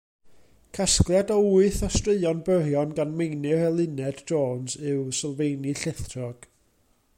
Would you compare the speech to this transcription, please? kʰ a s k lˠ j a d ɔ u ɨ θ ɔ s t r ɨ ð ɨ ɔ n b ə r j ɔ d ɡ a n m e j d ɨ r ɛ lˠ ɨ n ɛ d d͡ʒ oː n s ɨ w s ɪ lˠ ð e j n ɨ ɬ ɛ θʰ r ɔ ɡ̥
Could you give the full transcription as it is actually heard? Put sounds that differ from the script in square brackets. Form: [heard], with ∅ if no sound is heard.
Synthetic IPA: kʰ a s k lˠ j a d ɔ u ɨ θ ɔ s t r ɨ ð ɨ ɔ n b ə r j ɔ [n] ɡ a n m e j [n] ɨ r ɛ lˠ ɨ n ɛ d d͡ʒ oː n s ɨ w s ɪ lˠ [v] e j n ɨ ɬ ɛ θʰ r ɔ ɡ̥